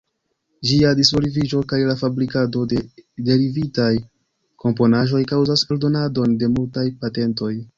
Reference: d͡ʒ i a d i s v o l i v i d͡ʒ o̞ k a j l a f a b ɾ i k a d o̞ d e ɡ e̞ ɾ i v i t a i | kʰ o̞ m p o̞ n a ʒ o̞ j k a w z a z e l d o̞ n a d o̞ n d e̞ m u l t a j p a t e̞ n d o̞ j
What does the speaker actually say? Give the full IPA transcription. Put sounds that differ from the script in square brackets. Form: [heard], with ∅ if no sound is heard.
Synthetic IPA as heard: d͡ʒ i a d i s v o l i v i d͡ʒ o̞ k a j l a f a b ɾ i k a d o̞ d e [d] e̞ ɾ i v i t a [j] | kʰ o̞ m p o̞ n a ʒ o̞ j k a w z a [s] e l d o̞ n a d o̞ n d e̞ m u l t a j p a t e̞ n [t] o̞ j